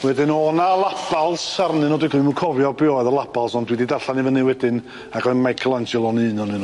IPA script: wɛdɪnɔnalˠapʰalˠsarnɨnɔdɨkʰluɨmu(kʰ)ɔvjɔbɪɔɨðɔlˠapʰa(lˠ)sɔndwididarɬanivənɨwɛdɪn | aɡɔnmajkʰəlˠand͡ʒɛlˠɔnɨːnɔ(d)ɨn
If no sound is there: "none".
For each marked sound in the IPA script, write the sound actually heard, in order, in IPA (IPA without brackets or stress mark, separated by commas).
kʰ, lˠ, n